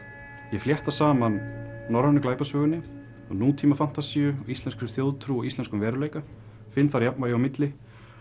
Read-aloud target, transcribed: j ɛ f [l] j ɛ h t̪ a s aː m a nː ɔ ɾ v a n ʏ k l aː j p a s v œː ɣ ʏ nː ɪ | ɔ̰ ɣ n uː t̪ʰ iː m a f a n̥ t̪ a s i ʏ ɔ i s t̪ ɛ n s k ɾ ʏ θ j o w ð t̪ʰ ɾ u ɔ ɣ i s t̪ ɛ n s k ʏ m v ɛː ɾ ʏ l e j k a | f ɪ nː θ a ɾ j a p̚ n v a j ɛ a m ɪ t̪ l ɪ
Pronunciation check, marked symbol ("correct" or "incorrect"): correct